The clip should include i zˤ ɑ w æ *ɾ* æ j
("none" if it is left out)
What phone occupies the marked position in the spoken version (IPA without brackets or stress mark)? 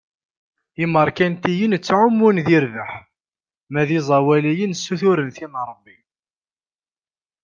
l